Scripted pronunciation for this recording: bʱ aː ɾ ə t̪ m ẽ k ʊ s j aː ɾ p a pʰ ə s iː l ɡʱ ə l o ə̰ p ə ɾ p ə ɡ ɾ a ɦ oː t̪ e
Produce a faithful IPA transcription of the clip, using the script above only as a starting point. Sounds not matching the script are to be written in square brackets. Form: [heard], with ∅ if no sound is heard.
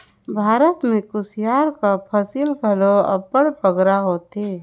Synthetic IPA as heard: bʱ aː ɾ ə t̪ m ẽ k ʊ s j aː ɾ [k] a pʰ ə s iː l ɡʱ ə l o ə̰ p ə [ɽ] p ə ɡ ɾ a ɦ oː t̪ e